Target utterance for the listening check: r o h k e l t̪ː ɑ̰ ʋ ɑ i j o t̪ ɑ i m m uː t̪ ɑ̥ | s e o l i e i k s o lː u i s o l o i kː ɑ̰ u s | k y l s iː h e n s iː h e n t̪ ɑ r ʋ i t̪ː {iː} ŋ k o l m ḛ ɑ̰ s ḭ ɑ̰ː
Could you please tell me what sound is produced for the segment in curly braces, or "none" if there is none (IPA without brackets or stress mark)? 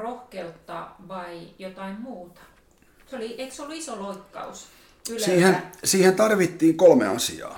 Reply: iː